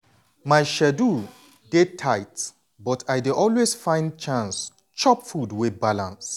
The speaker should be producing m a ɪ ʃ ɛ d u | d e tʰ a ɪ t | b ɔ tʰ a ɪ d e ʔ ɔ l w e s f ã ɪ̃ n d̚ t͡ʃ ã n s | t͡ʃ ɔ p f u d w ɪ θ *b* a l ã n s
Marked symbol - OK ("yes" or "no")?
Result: yes